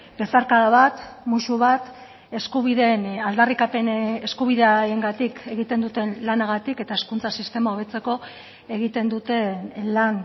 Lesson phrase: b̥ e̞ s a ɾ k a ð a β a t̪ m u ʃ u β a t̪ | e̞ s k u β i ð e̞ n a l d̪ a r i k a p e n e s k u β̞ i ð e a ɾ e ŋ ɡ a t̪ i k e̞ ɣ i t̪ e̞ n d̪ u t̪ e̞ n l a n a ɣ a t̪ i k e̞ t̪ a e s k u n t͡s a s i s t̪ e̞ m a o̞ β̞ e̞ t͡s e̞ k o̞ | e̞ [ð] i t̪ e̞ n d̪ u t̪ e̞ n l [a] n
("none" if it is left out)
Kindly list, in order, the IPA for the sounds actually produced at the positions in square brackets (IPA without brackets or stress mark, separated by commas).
ɣ, a